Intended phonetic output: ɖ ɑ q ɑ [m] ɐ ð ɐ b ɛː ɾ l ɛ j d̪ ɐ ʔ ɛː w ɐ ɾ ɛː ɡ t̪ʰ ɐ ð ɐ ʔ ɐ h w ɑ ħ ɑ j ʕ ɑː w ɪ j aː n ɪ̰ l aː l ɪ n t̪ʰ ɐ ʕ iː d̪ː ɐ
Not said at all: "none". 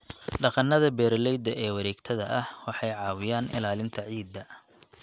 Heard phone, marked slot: n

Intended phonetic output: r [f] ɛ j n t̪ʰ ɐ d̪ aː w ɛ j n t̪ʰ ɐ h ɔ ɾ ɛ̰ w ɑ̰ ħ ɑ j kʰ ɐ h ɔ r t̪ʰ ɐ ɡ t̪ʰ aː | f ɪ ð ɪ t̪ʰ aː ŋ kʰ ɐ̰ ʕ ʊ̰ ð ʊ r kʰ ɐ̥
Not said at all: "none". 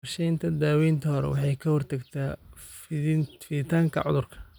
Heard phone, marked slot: ʃ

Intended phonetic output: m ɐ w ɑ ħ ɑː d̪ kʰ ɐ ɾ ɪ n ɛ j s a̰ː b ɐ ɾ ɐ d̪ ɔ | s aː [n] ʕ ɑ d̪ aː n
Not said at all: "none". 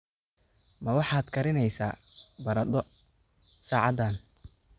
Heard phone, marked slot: none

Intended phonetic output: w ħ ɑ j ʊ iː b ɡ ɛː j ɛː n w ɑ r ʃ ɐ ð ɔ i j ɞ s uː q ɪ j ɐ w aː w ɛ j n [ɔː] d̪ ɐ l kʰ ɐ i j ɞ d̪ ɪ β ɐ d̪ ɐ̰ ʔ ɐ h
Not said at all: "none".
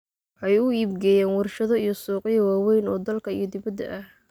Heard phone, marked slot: ɔː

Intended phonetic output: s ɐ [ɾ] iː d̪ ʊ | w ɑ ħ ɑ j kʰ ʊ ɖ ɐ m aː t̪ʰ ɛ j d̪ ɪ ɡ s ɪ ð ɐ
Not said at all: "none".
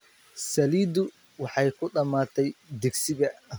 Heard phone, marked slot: l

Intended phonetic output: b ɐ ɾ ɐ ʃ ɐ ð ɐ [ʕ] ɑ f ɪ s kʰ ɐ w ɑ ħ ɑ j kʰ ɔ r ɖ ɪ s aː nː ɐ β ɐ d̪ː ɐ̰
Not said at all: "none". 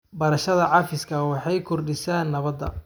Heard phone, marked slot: ʕ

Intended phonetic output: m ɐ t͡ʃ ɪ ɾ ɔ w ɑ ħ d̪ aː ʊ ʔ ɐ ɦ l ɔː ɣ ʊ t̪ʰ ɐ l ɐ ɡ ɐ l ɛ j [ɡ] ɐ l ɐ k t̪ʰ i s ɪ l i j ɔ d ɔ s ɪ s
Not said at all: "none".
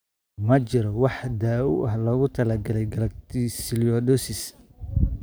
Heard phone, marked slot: ɡ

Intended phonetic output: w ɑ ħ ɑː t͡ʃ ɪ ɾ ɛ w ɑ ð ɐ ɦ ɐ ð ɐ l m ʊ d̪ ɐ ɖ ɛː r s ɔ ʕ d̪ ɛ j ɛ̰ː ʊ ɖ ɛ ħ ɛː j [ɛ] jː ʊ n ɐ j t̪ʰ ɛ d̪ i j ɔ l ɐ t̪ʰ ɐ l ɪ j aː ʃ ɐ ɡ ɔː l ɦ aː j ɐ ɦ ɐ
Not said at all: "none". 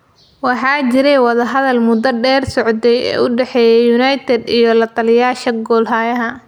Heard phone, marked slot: ɛ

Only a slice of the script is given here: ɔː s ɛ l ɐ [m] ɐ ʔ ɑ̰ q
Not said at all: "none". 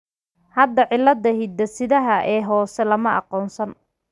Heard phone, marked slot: m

